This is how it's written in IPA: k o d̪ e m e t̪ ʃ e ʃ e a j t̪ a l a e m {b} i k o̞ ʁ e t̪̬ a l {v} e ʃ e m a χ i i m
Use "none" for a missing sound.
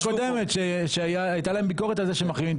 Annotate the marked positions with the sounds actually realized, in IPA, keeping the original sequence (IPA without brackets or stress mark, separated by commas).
b, z